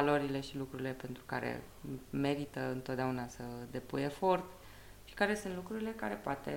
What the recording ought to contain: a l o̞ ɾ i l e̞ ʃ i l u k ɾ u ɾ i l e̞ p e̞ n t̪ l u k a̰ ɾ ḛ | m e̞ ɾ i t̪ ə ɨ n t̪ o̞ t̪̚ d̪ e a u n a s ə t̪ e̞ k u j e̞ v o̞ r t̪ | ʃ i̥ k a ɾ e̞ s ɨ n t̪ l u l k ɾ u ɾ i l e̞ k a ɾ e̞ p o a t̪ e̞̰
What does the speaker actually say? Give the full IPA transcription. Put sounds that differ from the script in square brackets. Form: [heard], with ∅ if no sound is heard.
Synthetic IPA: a l o̞ ɾ i l e̞ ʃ i l u k ɾ u ɾ i l e̞ p e̞ n t̪ [ɾ] u k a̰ ɾ ḛ | m e̞ ɾ i t̪ ə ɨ n t̪ o̞ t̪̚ d̪ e a u n a s ə [d̪] e̞ [p] u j e̞ [f] o̞ r t̪ | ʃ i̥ k a ɾ e̞ s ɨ n t̪ l u [∅] k ɾ u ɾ i l e̞ k a ɾ e̞ p o a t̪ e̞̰